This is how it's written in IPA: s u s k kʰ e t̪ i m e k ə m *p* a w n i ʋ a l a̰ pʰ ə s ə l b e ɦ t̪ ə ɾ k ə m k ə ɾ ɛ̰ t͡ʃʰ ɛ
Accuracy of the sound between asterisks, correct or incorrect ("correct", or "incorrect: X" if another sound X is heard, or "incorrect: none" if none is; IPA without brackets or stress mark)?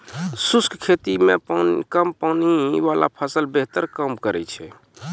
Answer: correct